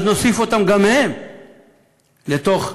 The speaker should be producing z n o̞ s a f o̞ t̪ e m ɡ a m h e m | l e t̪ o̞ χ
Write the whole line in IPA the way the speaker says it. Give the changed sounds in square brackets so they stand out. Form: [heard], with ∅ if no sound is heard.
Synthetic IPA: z n o̞ s [i] f o̞ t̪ [a] m ɡ a m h e m | l e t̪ o̞ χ

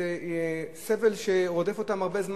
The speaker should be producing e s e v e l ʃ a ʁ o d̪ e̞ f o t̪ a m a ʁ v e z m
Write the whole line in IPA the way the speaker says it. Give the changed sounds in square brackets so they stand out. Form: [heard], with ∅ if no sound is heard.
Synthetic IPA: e s e v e l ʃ [e] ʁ o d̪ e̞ f o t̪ a m a ʁ [b] e z m

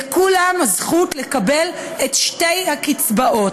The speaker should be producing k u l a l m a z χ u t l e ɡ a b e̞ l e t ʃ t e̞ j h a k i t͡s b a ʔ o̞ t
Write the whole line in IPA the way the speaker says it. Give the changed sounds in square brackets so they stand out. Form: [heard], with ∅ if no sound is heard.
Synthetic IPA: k u l a [∅] m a z χ u t l e [k] a b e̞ l e t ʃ t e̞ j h a k i t͡s b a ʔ o̞ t

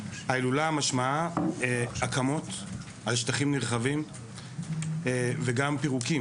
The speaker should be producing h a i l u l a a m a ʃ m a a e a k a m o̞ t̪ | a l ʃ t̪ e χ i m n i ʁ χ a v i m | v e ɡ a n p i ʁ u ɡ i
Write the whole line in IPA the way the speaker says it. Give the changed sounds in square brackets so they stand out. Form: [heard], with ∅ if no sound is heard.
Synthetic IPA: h a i l u l a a m a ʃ m a a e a k a m o̞ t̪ | a l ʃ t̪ [a] χ i m n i ʁ χ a v i m | v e ɡ a [m] p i ʁ u [k] i

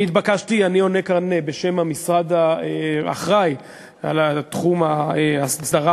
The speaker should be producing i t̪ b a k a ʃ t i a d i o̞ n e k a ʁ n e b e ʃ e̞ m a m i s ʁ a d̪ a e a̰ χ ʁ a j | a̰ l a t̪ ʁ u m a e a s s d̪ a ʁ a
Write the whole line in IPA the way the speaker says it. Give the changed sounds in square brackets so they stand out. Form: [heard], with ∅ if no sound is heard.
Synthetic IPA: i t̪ b a k a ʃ t i a [n] i o̞ n e k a ʁ n e b e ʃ e̞ m a m i s ʁ a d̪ a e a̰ χ ʁ a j | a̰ l a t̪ [χ] u m a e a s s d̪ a ʁ a

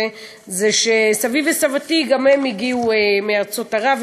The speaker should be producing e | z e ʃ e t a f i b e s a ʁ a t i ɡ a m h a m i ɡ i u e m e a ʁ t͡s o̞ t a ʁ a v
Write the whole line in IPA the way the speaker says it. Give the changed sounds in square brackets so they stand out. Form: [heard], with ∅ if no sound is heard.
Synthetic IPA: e | z e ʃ e [s] a [v] i [v] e s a [v] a t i ɡ a m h [e] m i ɡ i u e m e a ʁ t͡s o̞ t a ʁ a v

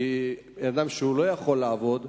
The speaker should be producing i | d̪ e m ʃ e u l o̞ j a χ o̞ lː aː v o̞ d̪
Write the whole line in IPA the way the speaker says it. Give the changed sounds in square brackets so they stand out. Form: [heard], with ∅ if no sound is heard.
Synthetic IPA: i | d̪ [a] m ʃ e u l o̞ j a χ o̞ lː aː v o̞ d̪

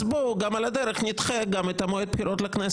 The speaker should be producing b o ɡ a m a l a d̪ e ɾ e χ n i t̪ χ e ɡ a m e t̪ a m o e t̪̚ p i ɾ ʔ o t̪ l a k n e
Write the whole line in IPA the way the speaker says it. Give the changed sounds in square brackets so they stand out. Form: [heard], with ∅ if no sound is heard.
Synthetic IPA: b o ɡ a m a l a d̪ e ɾ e χ n i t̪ χ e ɡ a m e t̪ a m o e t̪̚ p i ɾ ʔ o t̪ l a k n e

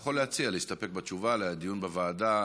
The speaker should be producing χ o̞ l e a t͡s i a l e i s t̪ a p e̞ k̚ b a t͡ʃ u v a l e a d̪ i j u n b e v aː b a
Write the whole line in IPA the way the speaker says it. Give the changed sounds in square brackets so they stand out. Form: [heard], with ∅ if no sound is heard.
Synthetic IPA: χ o̞ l e a t͡s i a l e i s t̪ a p e̞ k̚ b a t͡ʃ u v a l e a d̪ i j u n b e v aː [d] a

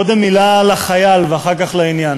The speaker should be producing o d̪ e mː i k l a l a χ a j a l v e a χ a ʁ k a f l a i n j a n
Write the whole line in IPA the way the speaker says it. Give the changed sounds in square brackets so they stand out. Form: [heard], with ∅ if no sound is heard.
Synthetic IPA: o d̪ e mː i [∅] l a l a χ a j a l v e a χ a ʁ k a [χ] l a i n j a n

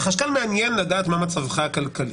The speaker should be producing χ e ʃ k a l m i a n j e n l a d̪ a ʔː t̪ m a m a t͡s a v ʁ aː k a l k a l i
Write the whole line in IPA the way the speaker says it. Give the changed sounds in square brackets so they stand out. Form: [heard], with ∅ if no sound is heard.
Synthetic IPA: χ [a] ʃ k a l m [e] a n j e n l a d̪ a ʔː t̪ m a m a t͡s a v [χ] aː k a l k a l i

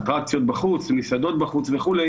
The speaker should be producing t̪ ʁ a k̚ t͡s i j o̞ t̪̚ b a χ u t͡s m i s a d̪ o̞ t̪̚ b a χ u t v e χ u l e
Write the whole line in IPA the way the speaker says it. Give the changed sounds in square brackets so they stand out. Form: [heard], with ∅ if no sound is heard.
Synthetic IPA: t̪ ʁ a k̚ t͡s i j o̞ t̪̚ b a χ u t͡s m i s a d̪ o̞ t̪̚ b a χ u [t͡s] v e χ u l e

